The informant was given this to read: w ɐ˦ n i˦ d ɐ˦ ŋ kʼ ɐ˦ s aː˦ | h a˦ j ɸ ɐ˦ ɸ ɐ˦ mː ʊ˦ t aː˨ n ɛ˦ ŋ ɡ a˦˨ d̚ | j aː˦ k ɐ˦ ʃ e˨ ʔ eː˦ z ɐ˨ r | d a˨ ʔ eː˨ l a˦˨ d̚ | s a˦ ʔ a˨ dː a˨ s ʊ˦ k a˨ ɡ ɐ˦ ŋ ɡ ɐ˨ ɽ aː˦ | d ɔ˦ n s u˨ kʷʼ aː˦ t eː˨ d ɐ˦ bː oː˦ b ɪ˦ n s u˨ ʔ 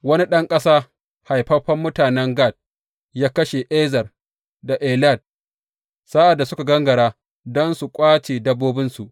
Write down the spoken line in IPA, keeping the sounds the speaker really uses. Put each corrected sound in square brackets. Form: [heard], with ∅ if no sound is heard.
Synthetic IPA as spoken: w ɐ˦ n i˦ [ɗ] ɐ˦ ŋ kʼ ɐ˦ s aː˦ | h [a˨] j ɸ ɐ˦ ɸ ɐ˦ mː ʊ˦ t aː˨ n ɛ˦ ŋ ɡ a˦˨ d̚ | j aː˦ k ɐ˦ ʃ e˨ ʔ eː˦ z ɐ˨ r | d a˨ ʔ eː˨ l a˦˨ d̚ | s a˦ ʔ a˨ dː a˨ s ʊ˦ k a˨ ɡ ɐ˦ ŋ ɡ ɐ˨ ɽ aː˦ | d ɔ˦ n s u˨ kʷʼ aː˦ [t͡ʃ] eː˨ d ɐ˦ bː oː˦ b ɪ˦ n s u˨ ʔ